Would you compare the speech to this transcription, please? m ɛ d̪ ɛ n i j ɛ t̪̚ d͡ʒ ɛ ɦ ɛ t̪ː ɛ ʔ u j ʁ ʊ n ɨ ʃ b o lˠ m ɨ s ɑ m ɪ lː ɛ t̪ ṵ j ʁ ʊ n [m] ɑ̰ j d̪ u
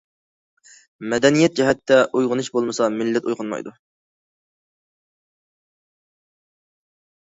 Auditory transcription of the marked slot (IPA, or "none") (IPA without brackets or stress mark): m